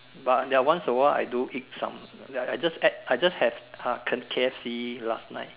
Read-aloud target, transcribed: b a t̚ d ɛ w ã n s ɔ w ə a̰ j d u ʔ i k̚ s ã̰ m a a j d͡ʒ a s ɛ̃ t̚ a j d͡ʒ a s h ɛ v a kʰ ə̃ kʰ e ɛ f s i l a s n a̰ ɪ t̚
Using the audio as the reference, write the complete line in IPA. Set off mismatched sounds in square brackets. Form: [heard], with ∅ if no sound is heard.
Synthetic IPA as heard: b a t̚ d ɛ w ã n s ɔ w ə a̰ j d u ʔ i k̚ s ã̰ m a a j d͡ʒ a s [ɛ] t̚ a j d͡ʒ a s h ɛ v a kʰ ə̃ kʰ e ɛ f s i l a s n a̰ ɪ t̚

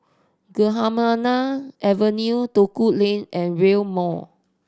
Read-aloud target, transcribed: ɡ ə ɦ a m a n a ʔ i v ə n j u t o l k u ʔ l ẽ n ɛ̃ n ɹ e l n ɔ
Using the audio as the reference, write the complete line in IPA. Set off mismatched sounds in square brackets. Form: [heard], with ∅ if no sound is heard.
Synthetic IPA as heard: ɡ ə ɦ a m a n a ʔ [ɛ] v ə n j u t o [∅] k u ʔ l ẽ n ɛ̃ n ɹ e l [m] ɔ

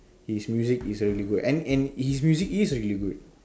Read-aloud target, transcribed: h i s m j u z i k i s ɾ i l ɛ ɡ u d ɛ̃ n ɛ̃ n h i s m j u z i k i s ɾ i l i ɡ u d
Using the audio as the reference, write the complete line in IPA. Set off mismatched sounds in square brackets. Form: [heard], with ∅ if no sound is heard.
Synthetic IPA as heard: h i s m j u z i k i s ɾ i l [i] ɡ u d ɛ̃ n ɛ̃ n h i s m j u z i k i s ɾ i l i ɡ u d

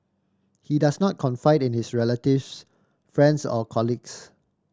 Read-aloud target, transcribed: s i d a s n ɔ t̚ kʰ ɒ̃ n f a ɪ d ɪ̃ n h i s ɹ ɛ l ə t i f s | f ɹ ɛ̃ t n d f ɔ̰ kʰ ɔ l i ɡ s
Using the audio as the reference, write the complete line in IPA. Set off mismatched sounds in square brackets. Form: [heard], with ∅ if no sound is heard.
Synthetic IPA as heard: [h] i d a s n ɔ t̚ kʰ [ɔ̃] n f a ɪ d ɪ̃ n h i s ɹ ɛ l ə t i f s | f ɹ ɛ̃ [∅] n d [s] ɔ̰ kʰ ɔ l i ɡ s

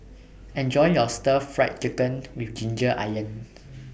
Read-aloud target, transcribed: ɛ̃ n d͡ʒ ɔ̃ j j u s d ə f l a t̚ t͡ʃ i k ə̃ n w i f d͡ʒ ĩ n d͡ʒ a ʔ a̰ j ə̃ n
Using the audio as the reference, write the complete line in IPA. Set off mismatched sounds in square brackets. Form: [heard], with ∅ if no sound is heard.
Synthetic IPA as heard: ɛ̃ n d͡ʒ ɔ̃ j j [ɔ] s [t] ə f [ɹ] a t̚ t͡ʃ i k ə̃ n w i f d͡ʒ ĩ n d͡ʒ [ə] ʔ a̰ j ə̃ n

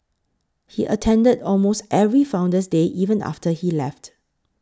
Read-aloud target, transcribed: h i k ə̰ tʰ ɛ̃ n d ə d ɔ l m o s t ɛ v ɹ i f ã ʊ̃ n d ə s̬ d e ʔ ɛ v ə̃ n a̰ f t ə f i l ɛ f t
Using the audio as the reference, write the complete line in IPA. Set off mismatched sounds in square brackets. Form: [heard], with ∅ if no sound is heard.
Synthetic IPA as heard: h i [ʔ] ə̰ tʰ ɛ̃ n d ə d ɔ l m o s t ɛ v ɹ i f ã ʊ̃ n d ə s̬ d e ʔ [i] v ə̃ n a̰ f t ə [h] i l ɛ f t

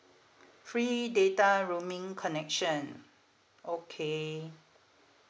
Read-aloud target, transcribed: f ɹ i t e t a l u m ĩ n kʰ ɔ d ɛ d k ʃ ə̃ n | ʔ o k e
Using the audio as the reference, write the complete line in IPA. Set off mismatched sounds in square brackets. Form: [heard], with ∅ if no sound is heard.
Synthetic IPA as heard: f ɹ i [d] e t a [ɹ] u m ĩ [ŋ] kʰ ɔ [n] ɛ [∅] k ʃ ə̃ n | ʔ o [kʰ] e

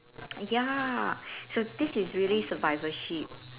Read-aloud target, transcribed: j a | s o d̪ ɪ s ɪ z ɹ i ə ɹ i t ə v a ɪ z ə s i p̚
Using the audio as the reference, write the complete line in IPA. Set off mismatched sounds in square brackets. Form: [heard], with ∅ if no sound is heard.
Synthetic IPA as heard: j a | s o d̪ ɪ s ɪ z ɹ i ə [l] i [s] ə v a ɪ [v] ə [ʃ] i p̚

